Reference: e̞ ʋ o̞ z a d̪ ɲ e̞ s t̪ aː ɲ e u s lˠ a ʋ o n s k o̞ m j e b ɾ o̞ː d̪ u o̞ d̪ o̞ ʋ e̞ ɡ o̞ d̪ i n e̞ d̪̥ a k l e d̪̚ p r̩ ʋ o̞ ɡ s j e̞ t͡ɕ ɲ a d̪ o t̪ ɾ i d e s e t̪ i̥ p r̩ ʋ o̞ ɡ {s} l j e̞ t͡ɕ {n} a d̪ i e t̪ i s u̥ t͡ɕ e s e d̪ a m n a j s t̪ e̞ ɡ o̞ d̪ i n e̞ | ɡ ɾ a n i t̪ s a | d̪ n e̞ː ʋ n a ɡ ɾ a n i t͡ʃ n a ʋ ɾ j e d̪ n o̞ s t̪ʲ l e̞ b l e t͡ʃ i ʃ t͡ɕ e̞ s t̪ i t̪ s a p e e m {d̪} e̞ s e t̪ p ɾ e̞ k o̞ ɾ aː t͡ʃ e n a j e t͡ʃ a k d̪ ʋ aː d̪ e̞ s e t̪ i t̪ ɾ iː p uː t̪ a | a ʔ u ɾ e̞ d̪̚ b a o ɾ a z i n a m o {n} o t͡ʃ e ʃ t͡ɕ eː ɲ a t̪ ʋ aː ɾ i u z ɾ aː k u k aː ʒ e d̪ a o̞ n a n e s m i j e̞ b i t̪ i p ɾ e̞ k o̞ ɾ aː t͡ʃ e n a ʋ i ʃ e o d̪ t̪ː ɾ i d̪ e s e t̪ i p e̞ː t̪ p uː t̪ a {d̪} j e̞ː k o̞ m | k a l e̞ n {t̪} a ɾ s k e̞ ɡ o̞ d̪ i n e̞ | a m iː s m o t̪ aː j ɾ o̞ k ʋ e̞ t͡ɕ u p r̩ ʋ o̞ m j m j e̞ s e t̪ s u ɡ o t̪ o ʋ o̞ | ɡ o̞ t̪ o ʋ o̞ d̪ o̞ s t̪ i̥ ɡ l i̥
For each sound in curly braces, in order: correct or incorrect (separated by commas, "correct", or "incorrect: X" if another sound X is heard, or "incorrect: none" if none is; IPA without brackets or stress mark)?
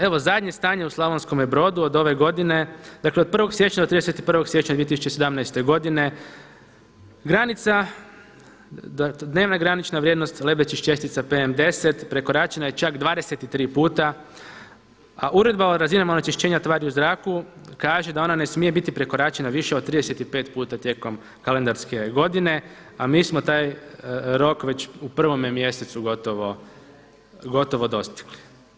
correct, incorrect: ɲ, correct, correct, incorrect: t̪, incorrect: d̪